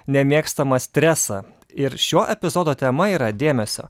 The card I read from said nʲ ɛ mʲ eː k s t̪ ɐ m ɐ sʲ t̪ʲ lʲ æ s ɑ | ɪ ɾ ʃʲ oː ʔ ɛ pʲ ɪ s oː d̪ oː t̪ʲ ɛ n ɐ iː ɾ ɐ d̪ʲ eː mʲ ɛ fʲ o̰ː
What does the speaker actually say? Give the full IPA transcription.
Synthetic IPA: nʲ ɛ mʲ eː k s t̪ ɐ m ɐ sʲ t̪ʲ ɾʲ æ s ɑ | ɪ ɾ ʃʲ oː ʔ ɛ pʲ ɪ z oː d̪ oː t̪ʲ ɛ m ɐ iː ɾ ɐ d̪ʲ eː mʲ ɛ sʲ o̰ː